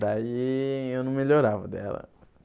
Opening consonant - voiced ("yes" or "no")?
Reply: yes